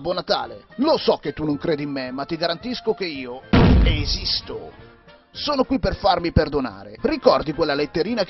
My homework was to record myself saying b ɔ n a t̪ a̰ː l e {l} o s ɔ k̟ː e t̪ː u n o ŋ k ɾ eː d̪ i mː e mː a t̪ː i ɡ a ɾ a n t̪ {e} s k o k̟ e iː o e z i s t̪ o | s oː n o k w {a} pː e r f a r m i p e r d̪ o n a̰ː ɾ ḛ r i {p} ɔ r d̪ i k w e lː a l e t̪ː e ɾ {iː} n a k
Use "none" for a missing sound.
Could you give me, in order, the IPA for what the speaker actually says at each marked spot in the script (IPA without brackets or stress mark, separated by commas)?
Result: l, i, i, k, iː